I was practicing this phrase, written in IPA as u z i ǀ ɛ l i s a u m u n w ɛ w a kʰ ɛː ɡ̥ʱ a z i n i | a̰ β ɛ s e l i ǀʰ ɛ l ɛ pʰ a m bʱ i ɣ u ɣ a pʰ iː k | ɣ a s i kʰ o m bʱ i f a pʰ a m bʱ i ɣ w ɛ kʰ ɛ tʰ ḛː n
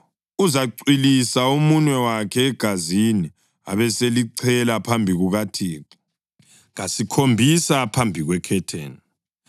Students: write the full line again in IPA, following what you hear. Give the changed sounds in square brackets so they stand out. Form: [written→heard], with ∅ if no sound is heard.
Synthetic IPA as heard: u z [i→a] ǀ [ɛ→i] l i s a u m u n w ɛ w a kʰ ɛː ɡ̥ʱ a z i n i | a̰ β ɛ s e l i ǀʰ ɛ l [ɛ→a] pʰ a m bʱ i ɣ u ɣ a [pʰ→tʰ] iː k | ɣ a s i kʰ o m bʱ i [f→s] a pʰ a m bʱ i ɣ w ɛ kʰ ɛ tʰ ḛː n